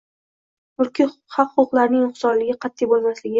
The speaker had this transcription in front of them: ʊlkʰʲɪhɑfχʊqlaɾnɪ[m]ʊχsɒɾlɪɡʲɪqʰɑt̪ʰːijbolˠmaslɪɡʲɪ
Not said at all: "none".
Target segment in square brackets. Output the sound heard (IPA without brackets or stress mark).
ŋ